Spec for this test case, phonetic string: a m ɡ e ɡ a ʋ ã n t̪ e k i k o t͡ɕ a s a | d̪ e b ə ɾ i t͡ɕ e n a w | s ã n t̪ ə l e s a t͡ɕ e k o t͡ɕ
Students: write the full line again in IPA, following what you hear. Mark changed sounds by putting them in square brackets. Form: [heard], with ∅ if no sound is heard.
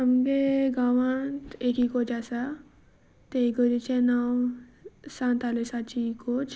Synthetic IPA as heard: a m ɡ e ɡ a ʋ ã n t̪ e k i k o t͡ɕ a s a | [t̪] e [ɡ] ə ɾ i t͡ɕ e n a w | s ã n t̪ [a] l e s a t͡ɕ [i] k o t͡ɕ

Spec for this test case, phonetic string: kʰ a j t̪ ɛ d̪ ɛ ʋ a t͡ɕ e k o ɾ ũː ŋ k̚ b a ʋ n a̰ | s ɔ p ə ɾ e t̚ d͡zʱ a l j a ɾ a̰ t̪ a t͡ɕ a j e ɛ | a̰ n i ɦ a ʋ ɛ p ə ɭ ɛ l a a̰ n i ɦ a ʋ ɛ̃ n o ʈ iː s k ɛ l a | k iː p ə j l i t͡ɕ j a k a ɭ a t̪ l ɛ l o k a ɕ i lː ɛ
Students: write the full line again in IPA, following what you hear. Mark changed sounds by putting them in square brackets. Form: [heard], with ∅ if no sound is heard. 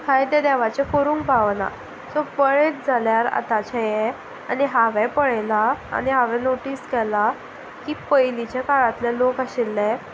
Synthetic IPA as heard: kʰ a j t̪ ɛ d̪ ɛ ʋ a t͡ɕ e k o ɾ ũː ŋ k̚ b a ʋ n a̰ | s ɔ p ə [ɭ] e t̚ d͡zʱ a l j a ɾ a̰ t̪ a t͡ɕ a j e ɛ | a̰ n i ɦ a ʋ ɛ p ə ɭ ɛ l a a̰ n i ɦ a ʋ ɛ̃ n o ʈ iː s k ɛ l a | k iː p ə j l i t͡ɕ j a k a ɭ a t̪ l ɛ l o k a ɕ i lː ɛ

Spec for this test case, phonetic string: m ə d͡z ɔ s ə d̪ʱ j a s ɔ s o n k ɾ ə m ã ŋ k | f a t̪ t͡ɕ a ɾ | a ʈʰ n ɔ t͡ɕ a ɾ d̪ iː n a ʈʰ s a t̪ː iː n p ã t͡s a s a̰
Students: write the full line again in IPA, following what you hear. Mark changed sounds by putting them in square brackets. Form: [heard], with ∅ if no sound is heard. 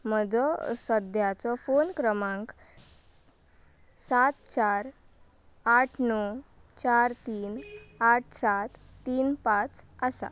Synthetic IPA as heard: m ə d͡z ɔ s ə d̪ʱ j a [t͡s] ɔ [f] o n k ɾ ə m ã ŋ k | [s] a t̪ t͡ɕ a ɾ | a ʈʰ n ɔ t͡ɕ a ɾ [t̪] iː n a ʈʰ s a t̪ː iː n p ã t͡s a s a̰

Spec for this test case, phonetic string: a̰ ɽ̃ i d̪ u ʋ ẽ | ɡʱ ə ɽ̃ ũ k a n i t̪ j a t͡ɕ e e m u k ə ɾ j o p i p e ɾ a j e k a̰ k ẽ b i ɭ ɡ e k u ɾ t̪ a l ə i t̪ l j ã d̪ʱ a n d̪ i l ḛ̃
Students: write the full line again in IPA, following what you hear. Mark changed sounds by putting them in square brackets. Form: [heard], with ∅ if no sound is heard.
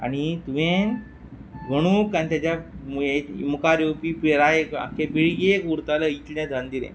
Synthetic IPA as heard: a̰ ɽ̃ i [t̪] u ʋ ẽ | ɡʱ ə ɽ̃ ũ k a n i t̪ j a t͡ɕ [a] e m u k [a] ɾ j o p i p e ɾ a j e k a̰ k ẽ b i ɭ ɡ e k u ɾ t̪ a l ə i t̪ l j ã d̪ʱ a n d̪ i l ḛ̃

